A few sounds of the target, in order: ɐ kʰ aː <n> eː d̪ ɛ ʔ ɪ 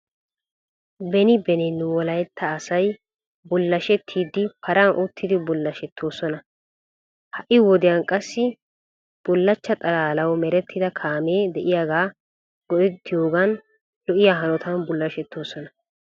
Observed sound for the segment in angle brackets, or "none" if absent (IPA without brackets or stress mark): m